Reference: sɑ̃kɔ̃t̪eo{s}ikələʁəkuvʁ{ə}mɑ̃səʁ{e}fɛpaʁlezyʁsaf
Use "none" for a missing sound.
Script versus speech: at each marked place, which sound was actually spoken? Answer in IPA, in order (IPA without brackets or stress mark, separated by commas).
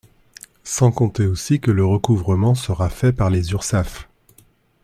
s, ə, a